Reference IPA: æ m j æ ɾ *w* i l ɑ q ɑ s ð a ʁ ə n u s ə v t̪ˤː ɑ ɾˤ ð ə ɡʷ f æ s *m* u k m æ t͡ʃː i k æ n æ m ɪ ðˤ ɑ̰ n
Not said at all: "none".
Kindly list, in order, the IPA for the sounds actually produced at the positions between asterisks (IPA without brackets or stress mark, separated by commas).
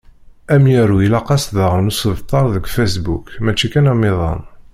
u, b